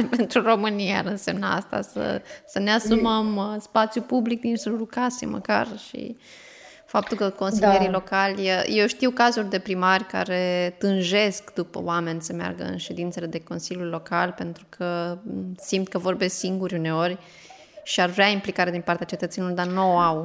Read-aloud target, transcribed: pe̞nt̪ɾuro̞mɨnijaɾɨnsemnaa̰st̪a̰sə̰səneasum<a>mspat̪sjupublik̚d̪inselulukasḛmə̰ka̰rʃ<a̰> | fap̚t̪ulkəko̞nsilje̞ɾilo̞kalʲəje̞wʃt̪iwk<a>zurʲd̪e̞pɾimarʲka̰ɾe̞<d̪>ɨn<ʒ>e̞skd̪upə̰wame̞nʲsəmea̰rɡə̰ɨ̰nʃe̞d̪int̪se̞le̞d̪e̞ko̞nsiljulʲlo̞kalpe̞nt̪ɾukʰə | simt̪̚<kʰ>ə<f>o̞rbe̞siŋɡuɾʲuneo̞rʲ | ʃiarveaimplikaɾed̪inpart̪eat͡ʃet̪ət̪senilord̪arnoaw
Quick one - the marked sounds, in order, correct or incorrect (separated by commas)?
incorrect, incorrect, correct, incorrect, correct, incorrect, incorrect